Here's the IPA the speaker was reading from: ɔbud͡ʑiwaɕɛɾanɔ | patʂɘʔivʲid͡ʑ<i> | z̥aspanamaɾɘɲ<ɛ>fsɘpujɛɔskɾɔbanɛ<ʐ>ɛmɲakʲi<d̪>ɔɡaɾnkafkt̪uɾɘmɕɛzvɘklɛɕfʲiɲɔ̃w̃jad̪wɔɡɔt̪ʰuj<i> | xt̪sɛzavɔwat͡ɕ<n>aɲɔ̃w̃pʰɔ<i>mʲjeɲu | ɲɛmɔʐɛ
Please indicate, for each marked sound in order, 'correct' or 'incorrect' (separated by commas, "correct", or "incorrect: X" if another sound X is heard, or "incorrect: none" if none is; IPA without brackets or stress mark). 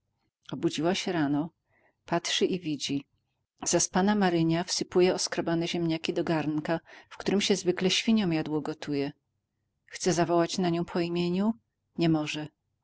correct, incorrect: a, incorrect: ʑ, correct, incorrect: ɛ, correct, correct